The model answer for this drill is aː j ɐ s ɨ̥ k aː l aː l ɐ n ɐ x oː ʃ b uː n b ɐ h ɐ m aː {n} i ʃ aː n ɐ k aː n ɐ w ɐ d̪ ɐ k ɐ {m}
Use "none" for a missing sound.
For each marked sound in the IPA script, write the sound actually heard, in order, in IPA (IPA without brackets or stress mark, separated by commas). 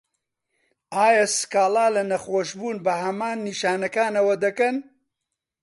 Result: nː, n